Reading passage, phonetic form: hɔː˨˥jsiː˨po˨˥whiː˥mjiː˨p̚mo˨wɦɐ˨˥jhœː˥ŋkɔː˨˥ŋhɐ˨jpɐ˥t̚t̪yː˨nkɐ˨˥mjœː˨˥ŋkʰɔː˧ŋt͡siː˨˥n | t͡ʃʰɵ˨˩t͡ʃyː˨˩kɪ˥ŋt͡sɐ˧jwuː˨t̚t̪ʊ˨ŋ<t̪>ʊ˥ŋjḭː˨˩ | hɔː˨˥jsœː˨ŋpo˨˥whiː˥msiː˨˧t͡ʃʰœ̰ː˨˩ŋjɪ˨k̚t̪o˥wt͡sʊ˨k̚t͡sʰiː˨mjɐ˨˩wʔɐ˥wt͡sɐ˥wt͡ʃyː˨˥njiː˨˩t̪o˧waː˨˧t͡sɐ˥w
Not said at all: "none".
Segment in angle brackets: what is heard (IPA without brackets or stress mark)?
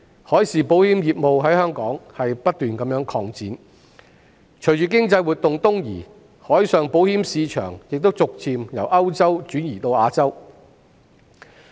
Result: t̪